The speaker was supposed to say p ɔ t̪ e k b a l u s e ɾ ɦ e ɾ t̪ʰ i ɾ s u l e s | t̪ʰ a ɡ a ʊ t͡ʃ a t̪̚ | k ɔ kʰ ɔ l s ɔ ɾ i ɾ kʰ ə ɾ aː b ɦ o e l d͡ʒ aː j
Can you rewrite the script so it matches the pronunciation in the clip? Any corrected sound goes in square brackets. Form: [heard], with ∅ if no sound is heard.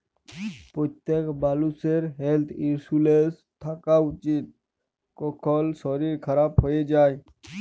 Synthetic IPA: p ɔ t̪ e k b a l u s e ɾ ɦ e [l] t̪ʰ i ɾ s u l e s | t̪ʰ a [k] a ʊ t͡ʃ [i] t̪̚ | k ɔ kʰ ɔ l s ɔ ɾ i ɾ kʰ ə ɾ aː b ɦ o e [∅] d͡ʒ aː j